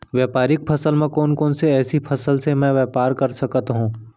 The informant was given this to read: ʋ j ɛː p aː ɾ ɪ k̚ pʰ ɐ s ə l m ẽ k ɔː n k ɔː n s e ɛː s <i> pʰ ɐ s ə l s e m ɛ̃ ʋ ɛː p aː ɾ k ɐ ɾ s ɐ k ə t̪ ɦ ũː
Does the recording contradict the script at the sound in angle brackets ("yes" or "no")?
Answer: no